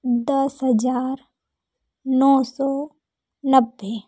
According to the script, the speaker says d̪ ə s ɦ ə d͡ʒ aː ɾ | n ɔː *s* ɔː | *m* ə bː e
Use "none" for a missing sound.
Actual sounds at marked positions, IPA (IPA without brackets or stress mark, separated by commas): s, n